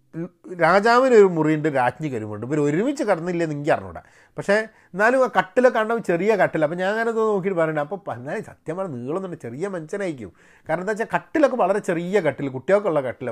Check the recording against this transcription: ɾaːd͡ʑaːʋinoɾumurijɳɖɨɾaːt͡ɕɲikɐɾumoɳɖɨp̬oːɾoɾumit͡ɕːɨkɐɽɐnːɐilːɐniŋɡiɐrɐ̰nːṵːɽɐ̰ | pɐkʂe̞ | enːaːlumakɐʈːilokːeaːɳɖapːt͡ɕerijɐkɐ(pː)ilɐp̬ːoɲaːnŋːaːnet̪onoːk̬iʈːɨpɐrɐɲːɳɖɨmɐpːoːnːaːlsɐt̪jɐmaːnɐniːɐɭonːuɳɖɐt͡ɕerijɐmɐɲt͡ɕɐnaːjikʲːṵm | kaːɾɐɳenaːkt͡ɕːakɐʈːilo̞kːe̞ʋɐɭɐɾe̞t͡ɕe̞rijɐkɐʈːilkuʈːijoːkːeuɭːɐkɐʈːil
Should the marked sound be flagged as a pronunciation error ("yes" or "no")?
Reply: yes